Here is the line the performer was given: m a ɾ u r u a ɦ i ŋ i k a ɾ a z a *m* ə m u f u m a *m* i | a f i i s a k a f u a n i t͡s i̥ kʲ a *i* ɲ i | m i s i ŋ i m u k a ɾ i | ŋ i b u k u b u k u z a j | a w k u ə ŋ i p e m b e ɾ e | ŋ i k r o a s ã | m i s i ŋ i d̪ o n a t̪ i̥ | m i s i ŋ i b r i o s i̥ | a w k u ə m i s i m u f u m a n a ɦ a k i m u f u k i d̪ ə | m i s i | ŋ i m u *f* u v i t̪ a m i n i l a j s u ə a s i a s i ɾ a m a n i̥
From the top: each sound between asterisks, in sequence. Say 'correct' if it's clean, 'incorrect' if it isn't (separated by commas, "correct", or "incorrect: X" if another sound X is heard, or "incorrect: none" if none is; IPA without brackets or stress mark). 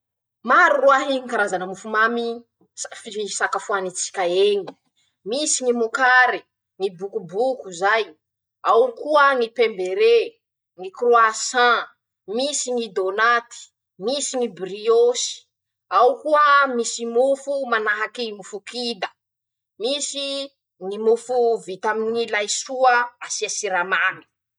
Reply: incorrect: n, correct, incorrect: e, correct